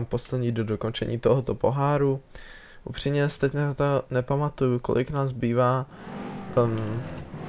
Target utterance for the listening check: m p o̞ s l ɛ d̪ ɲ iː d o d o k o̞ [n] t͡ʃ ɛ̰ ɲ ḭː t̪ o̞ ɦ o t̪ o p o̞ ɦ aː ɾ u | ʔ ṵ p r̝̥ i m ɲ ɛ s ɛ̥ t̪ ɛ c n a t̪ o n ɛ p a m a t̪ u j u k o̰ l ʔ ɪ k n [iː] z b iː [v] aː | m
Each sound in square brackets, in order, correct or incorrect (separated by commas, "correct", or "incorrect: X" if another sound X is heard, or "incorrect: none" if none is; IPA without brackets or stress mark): correct, incorrect: aː, correct